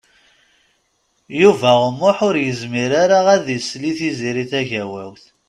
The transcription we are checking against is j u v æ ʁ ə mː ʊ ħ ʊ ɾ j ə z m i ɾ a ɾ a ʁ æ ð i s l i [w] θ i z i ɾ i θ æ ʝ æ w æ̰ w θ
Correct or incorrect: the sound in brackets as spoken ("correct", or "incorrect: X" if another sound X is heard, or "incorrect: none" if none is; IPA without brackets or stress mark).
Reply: incorrect: none